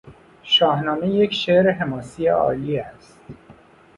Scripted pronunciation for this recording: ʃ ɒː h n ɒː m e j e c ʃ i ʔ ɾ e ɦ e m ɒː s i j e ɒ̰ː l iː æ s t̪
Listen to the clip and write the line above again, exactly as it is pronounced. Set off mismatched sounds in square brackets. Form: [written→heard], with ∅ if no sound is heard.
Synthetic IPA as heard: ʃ ɒː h n ɒː m e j e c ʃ [i→e] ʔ ɾ e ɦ e m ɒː s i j e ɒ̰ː l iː æ s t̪